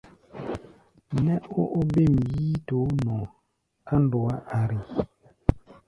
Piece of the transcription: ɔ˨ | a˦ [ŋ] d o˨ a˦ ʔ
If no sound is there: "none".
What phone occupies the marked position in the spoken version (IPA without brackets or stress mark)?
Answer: n